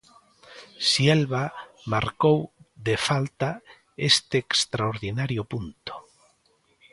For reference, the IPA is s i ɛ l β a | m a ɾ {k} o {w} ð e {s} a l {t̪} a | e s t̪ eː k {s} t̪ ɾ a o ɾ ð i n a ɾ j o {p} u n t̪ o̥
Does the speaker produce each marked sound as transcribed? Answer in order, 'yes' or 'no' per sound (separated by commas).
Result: yes, yes, no, yes, yes, yes